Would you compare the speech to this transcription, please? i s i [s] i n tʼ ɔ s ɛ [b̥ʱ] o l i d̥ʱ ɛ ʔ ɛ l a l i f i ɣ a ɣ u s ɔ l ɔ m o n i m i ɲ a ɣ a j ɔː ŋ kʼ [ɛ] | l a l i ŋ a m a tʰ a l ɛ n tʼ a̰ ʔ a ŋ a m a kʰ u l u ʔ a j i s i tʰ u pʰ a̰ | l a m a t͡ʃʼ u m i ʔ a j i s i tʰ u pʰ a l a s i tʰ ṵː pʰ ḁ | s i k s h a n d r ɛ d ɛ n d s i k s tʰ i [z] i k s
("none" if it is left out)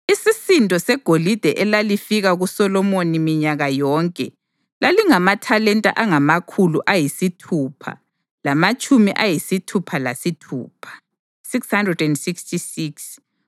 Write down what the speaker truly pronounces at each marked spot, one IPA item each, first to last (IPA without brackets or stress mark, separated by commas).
s, ɡ̥ʱ, ɛ, s